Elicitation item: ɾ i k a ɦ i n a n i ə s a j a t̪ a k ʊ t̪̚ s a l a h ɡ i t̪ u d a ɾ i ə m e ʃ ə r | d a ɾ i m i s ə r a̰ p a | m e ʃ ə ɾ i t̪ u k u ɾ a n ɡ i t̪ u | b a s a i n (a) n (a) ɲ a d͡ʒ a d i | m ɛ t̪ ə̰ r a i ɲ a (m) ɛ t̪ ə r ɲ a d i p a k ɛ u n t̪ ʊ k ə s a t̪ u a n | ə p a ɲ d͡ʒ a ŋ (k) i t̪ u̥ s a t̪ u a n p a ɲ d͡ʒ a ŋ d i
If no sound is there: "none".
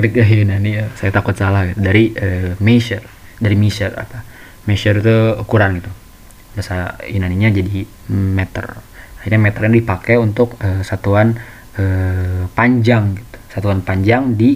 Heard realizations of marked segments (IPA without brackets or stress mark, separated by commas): a, i, m, ɡ